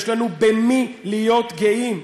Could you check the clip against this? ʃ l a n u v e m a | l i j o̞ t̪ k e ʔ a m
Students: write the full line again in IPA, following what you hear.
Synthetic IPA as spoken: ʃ l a n u b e m i | l i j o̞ t̪ ɡ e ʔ i m

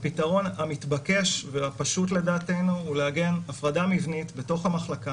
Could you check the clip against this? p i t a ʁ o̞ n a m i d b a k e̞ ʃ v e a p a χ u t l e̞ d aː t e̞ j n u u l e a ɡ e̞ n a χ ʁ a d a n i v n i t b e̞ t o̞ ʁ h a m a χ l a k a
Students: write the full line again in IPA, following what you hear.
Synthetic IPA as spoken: p i t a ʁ o̞ n a m i t b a k e̞ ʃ v e a p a ʃ u t l e̞ d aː t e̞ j n u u l e a ɡ e̞ n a f ʁ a d a m i v n i t b e̞ t o̞ χ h a m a χ l a k a

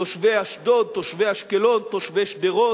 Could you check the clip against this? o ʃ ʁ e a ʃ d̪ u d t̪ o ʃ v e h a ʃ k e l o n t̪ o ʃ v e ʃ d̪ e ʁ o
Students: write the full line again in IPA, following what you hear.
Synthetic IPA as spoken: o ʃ v e a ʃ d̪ o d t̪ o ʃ v e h a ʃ k e l o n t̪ o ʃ v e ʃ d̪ e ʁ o

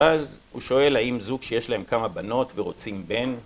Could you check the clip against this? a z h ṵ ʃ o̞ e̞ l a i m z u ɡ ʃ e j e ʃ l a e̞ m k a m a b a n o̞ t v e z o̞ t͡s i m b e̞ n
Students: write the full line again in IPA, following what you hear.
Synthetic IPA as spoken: a z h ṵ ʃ o̞ e̞ l a i m z u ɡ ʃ e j e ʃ l a e̞ m k a m a b a n o̞ t v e ʁ o̞ t͡s i m b e̞ n

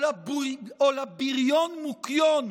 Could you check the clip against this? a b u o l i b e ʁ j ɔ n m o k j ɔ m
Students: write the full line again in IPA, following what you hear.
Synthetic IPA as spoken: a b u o l a b i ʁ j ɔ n m u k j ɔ n

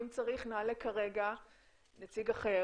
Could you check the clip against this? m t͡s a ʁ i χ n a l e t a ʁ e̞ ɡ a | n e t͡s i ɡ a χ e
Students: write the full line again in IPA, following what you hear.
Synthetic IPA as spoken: m t͡s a ʁ i χ n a l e k a ʁ e̞ ɡ a | n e t͡s i ɡ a χ e

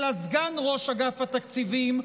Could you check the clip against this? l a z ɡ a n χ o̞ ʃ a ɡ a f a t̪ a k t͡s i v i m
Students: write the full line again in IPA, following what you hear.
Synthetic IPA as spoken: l a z ɡ a n ʁ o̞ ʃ a ɡ a f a t̪ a k t͡s i v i m

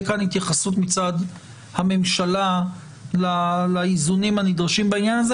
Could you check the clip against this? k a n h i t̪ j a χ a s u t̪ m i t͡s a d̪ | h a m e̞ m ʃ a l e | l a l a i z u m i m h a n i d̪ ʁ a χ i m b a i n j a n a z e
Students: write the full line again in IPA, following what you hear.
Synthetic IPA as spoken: k a n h i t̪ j a χ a s u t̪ m i t͡s a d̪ | h a m e̞ m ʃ a l a | l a l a i z u n i m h a n i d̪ ʁ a ʃ i m b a i n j a n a z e

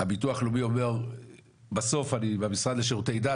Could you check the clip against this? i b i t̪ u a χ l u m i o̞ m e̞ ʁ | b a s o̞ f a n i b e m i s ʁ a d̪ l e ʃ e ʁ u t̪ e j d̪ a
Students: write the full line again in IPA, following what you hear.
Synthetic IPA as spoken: a b i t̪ u a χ l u m i o̞ m e̞ ʁ | b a s o̞ f a n i b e m i s ʁ a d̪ l e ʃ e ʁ u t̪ e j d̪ a

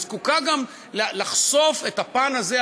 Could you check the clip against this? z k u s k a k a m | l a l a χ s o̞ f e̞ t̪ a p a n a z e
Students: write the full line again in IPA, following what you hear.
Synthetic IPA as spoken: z k u k a ɡ a m | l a l a χ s o̞ f e̞ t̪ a p a n a z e

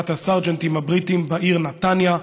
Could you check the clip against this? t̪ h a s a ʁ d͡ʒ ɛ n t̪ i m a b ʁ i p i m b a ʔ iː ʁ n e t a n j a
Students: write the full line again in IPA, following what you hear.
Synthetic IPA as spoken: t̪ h a s a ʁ d͡ʒ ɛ n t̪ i m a b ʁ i t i m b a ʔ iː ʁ n a t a n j a

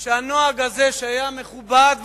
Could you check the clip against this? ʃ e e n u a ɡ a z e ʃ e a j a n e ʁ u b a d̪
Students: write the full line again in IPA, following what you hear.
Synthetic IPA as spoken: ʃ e a n o a ɡ a z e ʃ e a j a m e χ u b a d̪

